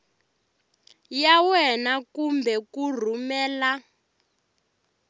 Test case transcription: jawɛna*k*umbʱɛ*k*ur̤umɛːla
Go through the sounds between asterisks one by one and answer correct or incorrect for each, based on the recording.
correct, correct

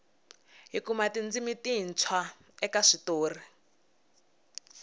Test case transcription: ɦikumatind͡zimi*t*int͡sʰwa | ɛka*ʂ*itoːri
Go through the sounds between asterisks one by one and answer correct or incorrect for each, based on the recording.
correct, correct

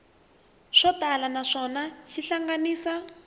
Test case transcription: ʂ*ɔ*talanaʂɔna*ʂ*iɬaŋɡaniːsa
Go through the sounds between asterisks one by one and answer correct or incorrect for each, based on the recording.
correct, incorrect: ʃ

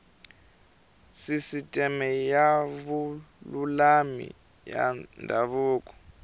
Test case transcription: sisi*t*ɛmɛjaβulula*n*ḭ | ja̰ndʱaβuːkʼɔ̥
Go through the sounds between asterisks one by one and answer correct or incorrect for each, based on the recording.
incorrect: tʼ, incorrect: m

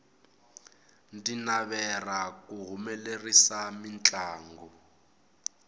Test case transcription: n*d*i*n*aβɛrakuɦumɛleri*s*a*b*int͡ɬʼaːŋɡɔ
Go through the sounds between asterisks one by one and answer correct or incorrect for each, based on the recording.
correct, correct, correct, incorrect: m

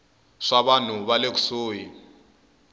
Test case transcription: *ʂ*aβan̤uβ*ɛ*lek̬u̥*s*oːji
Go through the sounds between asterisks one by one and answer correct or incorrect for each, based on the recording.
correct, incorrect: a, correct

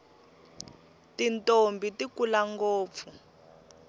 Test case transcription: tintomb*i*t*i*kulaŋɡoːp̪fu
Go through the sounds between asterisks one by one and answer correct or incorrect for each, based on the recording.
correct, correct

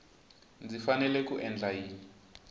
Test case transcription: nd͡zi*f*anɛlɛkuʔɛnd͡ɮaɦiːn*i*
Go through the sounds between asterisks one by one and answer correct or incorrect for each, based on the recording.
correct, correct

